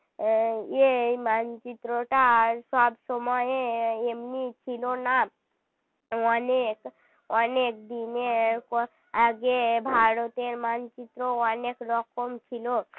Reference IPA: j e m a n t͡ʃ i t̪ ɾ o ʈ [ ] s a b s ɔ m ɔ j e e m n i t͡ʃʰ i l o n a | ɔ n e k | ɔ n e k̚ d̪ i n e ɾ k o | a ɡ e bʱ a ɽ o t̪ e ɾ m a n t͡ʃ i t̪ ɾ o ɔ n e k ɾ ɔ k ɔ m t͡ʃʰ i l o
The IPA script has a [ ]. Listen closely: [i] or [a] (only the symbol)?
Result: a